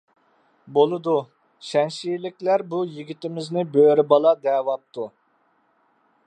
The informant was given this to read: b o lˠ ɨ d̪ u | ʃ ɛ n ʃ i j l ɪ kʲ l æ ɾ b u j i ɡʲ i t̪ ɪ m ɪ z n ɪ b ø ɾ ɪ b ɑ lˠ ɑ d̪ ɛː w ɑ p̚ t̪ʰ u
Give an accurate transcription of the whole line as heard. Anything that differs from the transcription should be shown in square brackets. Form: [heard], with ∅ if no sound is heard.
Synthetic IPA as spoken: b o lˠ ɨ d̪ u | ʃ ɛ n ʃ i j l ɪ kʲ l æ ɾ b u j i ɡʲ i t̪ ɪ m ɪ z n ɪ b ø ɾ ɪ b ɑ lˠ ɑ d̪ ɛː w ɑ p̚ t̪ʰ u